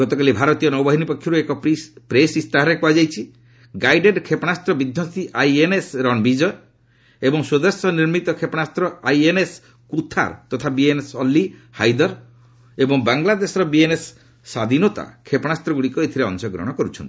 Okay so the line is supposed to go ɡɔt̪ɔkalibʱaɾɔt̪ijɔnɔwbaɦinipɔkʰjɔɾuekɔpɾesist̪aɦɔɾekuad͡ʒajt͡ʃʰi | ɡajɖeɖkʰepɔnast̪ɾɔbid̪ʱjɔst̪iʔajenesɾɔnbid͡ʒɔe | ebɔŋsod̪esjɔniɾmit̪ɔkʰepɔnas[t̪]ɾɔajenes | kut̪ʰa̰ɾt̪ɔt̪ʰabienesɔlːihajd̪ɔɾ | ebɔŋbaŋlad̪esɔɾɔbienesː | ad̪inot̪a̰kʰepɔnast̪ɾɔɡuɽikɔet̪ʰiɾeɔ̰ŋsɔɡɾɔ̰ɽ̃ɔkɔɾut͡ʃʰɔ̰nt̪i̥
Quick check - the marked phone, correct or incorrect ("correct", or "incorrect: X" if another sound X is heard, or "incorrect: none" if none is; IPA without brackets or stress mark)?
correct